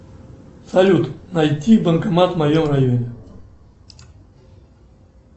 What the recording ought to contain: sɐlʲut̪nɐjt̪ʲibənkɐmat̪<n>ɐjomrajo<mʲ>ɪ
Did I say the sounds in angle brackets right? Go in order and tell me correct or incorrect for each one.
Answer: incorrect: m, incorrect: nʲ

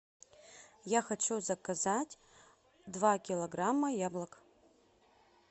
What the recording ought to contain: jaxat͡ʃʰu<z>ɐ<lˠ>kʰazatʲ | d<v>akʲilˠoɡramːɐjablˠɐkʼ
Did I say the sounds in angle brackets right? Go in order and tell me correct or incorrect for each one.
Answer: correct, incorrect: none, correct

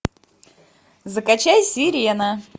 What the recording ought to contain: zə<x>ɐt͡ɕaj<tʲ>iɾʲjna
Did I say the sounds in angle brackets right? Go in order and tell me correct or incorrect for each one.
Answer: incorrect: k, incorrect: sʲ

